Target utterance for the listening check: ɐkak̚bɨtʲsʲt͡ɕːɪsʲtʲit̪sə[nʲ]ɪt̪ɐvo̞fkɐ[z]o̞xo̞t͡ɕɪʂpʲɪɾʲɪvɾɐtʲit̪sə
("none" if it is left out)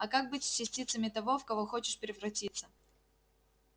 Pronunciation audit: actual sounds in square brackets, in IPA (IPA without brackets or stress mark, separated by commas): mʲ, v